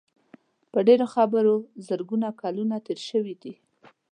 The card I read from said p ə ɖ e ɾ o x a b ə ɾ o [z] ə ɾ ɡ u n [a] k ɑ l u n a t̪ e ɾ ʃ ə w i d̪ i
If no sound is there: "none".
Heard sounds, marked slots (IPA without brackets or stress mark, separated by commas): z, a